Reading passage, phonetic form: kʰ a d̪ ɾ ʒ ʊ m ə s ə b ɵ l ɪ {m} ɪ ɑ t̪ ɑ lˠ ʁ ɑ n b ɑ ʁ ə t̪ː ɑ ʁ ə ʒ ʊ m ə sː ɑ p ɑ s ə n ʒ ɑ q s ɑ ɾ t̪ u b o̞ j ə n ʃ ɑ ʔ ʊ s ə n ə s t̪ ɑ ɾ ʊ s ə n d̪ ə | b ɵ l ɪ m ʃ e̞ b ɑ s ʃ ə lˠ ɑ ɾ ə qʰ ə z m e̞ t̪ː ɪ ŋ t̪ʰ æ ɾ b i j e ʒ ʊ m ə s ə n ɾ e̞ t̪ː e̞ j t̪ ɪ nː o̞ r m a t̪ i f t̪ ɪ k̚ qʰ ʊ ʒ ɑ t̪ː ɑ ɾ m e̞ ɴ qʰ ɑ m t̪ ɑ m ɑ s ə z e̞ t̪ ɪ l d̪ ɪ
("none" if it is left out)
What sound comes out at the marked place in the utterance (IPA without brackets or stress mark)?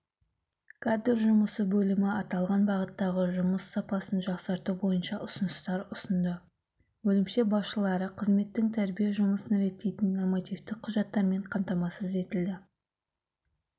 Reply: m